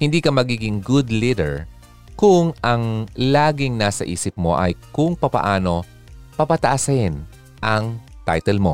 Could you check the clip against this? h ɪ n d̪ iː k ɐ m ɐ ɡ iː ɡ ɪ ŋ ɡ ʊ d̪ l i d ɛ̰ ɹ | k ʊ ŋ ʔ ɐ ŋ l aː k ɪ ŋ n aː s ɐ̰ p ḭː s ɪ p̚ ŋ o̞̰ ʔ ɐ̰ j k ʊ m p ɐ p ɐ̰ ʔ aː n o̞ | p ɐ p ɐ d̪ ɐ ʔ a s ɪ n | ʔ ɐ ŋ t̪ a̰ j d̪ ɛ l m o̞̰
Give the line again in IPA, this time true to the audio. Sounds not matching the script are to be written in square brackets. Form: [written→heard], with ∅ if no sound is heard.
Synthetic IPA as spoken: h ɪ n d̪ iː k ɐ m ɐ ɡ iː ɡ ɪ ŋ ɡ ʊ d̪ l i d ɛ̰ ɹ | k ʊ ŋ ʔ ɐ ŋ l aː [k→ɡ] ɪ ŋ n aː s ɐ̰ [p→ʔ] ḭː s ɪ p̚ [ŋ→m] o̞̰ ʔ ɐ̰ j k ʊ [m→ŋ] p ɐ p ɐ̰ ʔ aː n o̞ | p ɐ p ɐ [d̪→t̪] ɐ ʔ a s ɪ n | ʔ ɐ ŋ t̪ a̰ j [d̪→t̪] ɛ l m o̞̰